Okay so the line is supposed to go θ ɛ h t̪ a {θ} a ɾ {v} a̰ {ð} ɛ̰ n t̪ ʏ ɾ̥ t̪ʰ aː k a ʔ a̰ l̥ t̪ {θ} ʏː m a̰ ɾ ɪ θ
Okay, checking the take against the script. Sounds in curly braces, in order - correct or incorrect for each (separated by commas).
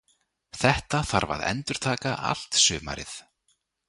correct, correct, correct, incorrect